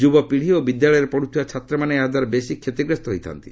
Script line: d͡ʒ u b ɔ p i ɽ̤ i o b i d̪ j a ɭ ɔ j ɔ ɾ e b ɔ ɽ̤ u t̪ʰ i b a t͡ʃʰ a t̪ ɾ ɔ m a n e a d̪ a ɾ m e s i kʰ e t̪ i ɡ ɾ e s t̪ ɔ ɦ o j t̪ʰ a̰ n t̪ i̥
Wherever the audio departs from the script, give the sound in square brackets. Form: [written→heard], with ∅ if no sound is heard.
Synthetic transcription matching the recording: d͡ʒ u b ɔ p i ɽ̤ i o b i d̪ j a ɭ ɔ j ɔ ɾ e [b→p] ɔ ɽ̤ u t̪ʰ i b a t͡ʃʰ a t̪ ɾ ɔ m a n e a d̪ a ɾ [m→b] e s i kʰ e t̪ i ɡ ɾ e s t̪ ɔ ɦ o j t̪ʰ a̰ n t̪ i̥